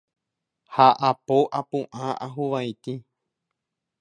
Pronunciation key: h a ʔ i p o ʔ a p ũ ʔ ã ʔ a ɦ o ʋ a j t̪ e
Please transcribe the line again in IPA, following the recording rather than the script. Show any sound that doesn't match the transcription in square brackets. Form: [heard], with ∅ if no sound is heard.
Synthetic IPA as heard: h a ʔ [a] p o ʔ a p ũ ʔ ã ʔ a ɦ [u] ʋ a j t̪ [i]